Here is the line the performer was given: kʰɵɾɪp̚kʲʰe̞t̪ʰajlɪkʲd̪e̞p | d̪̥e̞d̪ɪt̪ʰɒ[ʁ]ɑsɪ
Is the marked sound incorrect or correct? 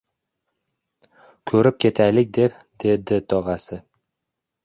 correct